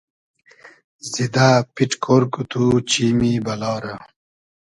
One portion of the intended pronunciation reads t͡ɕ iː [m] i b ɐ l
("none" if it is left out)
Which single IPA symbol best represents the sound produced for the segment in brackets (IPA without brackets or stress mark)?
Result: m